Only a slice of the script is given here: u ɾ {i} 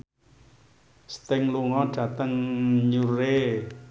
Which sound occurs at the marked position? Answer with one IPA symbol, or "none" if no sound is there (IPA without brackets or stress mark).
e